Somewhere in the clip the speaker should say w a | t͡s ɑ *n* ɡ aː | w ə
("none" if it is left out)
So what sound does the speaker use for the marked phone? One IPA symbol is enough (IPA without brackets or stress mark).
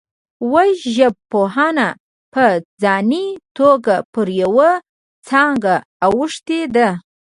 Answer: ŋ